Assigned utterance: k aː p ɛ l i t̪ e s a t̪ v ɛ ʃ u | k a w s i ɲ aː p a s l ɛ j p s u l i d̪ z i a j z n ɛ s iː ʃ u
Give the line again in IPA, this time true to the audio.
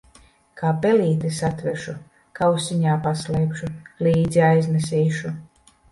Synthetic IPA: k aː p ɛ l iː t̪ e s a t̪ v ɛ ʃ u | k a w s i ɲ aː p a s l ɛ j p ʃ u l iː d̪ z i a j z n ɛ s iː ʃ u

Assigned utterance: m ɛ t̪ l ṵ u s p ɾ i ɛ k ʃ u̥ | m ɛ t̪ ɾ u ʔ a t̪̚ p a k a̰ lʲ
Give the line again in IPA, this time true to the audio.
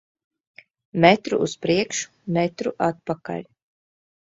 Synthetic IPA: m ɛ t̪ ɾ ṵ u s p ɾ i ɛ k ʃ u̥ | m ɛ t̪ ɾ u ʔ a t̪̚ p a k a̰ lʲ

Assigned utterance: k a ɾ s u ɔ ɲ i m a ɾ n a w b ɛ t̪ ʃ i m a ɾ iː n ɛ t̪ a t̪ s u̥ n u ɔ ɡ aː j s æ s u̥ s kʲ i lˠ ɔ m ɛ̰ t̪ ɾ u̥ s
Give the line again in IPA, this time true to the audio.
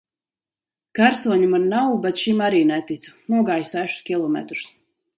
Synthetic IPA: k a ɾ s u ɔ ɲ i m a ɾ n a w b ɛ t̪ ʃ i m a ɾ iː n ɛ t̪ i t̪ s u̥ n u ɔ ɡ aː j s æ ʃ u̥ s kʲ i lˠ ɔ m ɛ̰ t̪ ɾ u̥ s

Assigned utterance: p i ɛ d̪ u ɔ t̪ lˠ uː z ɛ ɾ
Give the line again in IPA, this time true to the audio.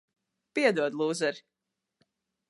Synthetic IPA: p i ɛ d̪ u ɔ d̪ lˠ uː z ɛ ɾ

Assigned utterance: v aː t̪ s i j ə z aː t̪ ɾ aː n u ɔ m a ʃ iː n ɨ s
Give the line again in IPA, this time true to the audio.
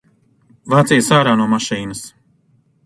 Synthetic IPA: v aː t̪ s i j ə s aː ɾ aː n u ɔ m a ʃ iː n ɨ s

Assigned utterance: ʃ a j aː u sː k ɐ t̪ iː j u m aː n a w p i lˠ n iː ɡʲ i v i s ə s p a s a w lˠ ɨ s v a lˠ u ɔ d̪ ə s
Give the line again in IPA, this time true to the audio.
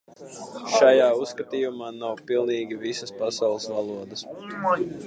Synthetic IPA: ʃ a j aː u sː k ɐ t̪ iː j u m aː n a w p i lˠ n iː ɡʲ i v i s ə s p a s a w lˠ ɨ s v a lˠ u ɔ d̪ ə s

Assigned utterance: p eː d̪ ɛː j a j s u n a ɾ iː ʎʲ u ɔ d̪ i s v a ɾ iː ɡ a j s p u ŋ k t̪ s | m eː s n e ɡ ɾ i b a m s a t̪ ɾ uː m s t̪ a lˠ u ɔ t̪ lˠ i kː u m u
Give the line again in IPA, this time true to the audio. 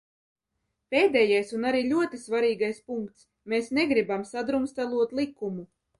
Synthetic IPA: p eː d̪ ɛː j a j s u n a ɾ iː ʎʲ u ɔ t̪ i s v a ɾ iː ɡ a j s p u ŋ k t̪ s | m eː s n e ɡ ɾ i b a m s a d̪ ɾ u m s t̪ a lˠ u ɔ t̪ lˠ i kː u m u

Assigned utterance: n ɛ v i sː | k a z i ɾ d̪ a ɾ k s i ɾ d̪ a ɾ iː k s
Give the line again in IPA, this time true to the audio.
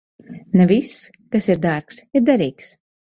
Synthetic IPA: n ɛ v i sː | k a s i ɾ d̪ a ɾ k s i ɾ d̪ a ɾ iː k s

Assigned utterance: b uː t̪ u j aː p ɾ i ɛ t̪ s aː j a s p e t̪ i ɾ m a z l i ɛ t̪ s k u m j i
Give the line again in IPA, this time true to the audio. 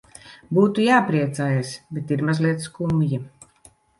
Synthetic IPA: b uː t̪ u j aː p ɾ i ɛ t̪ s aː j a s b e t̪ i ɾ m a z l i ɛ t̪ s k u m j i

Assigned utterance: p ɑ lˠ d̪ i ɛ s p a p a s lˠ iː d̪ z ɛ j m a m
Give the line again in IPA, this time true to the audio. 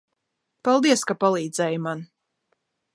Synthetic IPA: p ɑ lˠ d̪ i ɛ s k a p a lˠ iː d̪ z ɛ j m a n

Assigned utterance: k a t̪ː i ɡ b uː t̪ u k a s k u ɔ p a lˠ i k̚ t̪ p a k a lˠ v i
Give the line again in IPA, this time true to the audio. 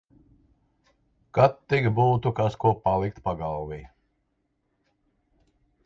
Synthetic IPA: k a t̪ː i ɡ b uː t̪ u k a s k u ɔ p a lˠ i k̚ t̪ p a ɡ a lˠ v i

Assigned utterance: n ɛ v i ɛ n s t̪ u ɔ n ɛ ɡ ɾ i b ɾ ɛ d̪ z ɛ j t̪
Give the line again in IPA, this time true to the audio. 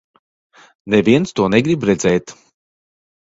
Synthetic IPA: n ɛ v i ɛ n s t̪ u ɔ n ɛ ɡ ɾ i b ɾ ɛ d̪ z ɛ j t̪

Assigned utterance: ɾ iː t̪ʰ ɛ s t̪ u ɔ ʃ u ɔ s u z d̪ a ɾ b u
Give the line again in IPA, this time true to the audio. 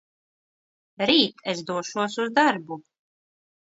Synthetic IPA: ɾ iː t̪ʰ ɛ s d̪ u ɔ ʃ u ɔ s u z d̪ a ɾ b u

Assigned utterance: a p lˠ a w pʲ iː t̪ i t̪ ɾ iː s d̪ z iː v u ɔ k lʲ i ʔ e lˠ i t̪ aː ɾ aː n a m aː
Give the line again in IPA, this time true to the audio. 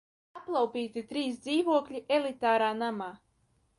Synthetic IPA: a p lˠ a w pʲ iː t̪ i t̪ ɾ iː s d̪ z iː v u ɔ k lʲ i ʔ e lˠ i t̪ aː ɾ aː n a m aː

